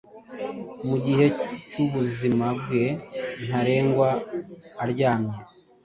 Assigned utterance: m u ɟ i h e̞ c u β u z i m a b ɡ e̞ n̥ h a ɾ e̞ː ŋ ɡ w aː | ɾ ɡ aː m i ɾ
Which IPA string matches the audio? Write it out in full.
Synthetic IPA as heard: m u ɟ i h e̞ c u β u z i m a b ɡ e̞ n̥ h a ɾ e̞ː ŋ ɡ w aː | ɾ ɟ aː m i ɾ